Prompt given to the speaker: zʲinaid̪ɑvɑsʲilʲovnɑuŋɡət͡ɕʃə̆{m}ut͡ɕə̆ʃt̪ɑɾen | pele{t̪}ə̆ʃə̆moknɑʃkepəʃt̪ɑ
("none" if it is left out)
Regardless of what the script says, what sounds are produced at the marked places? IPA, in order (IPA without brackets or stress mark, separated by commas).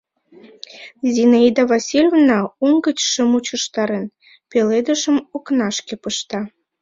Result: m, d̪